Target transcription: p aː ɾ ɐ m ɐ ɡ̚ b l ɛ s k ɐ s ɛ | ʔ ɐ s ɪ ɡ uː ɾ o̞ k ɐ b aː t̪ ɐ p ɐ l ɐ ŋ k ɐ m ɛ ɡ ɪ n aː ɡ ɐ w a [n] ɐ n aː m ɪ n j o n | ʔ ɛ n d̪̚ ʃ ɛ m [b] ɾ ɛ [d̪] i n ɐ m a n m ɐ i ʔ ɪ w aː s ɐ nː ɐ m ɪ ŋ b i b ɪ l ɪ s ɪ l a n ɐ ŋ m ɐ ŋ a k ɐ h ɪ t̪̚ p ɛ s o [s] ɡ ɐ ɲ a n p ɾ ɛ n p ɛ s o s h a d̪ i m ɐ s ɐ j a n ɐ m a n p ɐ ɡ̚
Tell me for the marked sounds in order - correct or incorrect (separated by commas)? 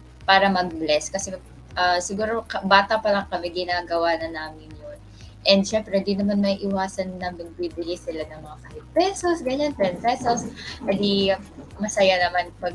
correct, incorrect, correct, correct